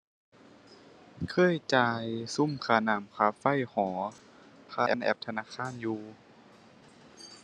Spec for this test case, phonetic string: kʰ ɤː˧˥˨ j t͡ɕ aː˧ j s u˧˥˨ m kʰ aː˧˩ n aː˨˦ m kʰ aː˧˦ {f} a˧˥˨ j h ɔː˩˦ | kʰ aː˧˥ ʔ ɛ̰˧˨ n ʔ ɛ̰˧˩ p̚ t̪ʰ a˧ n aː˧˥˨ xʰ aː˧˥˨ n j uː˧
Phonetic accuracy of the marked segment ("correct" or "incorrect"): correct